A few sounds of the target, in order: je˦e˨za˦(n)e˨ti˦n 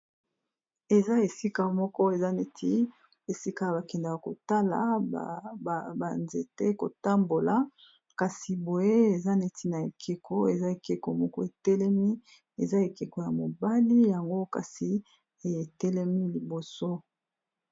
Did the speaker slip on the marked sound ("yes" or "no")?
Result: no